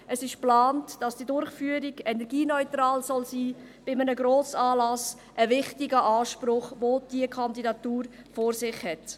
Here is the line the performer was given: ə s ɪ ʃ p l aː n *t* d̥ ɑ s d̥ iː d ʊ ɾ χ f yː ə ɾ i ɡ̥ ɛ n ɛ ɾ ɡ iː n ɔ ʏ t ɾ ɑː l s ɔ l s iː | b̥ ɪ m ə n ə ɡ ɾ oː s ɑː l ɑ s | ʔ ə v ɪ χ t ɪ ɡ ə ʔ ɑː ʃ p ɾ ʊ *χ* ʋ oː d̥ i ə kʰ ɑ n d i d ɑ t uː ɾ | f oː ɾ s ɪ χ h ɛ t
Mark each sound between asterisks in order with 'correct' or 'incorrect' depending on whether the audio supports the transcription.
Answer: correct, correct

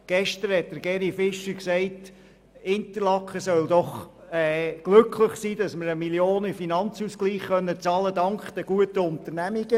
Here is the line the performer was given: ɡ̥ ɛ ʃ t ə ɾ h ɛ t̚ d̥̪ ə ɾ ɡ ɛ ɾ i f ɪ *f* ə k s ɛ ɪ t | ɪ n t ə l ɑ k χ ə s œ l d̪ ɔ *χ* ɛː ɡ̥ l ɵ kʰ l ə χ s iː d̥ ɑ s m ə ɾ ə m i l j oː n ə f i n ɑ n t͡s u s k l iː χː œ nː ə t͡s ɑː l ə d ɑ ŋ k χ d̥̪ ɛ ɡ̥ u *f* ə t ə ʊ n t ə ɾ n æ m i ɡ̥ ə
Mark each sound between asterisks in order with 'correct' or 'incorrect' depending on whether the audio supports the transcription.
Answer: incorrect: ʃ, correct, incorrect: none

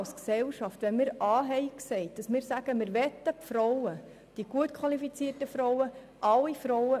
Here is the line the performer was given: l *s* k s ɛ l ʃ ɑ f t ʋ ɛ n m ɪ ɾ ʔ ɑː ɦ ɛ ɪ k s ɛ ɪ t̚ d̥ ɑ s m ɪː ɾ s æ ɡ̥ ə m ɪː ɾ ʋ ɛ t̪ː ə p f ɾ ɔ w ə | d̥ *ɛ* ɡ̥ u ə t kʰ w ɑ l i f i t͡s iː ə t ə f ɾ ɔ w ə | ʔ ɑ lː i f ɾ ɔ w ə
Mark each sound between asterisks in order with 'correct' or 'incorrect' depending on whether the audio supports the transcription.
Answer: correct, incorrect: i

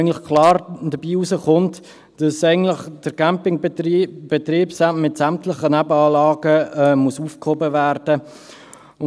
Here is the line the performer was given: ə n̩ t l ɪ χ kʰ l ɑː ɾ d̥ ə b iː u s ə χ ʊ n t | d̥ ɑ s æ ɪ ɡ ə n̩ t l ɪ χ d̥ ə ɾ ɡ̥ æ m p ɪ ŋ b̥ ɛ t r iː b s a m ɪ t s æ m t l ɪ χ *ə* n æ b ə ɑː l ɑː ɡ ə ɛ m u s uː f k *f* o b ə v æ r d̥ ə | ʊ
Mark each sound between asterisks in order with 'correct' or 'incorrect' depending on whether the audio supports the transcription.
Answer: correct, incorrect: h

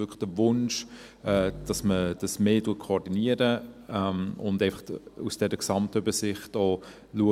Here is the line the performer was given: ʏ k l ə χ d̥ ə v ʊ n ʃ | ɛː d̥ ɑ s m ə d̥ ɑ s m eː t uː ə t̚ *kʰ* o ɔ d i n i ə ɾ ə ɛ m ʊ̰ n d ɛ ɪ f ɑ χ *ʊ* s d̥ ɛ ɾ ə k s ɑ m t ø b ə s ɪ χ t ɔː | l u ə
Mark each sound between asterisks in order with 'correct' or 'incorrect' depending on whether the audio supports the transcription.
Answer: correct, incorrect: u

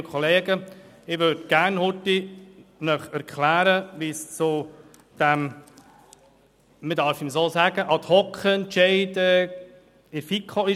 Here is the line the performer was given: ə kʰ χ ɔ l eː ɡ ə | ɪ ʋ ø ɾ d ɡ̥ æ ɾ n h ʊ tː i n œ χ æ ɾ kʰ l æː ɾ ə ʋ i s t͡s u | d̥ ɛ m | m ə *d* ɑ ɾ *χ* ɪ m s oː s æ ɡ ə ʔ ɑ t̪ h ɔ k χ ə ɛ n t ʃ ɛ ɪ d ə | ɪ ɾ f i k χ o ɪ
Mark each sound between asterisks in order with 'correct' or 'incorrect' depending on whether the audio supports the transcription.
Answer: correct, incorrect: f

